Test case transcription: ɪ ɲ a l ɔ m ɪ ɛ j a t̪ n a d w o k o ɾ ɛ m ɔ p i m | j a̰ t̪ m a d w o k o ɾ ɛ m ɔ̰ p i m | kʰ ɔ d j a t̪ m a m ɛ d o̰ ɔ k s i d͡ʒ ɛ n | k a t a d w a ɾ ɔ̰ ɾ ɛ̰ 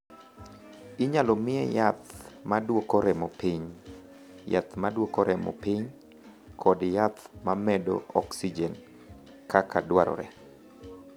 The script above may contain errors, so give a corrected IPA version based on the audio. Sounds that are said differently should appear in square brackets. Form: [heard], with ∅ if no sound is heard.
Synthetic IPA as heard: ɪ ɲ a l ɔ m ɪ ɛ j a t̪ [m] a d w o k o ɾ ɛ m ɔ p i [ɲ] | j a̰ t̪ m a d w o k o ɾ ɛ m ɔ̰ p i [ɲ] | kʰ ɔ d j a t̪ m a m ɛ d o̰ ɔ k s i d͡ʒ ɛ n | k a [k] a d w a ɾ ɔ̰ ɾ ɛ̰